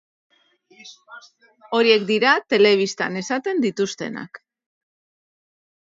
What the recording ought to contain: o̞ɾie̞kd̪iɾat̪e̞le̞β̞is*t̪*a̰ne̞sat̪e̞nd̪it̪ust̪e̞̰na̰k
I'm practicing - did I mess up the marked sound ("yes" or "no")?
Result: no